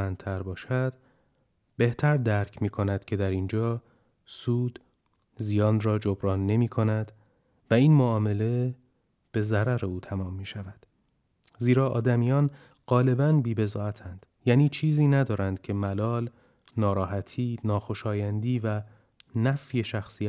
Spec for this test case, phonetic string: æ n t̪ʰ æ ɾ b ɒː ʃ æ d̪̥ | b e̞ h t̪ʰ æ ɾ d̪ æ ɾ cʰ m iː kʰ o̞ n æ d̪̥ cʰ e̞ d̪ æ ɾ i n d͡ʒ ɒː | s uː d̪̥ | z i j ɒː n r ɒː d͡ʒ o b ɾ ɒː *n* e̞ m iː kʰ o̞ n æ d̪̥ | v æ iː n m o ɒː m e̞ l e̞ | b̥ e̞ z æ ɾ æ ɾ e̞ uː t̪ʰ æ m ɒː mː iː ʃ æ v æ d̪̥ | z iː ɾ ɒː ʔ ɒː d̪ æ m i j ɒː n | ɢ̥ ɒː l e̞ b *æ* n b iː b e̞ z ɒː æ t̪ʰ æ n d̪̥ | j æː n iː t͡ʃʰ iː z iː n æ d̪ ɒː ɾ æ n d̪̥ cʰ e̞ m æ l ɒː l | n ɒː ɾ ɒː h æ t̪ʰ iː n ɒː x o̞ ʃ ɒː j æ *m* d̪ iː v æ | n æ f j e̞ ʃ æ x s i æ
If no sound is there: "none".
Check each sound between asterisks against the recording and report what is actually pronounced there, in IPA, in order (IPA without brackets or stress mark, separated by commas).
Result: nː, æ, n